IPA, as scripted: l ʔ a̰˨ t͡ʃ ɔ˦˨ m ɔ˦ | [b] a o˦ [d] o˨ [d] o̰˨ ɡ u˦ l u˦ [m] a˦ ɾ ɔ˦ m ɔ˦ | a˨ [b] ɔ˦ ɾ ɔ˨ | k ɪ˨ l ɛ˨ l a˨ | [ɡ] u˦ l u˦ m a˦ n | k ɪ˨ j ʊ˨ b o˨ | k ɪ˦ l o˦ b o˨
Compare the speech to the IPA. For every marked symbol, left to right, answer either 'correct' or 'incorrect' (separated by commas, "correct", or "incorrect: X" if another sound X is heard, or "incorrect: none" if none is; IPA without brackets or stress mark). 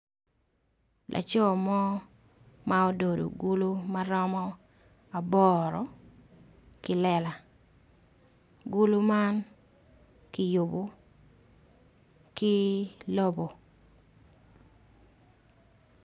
incorrect: m, correct, correct, correct, correct, correct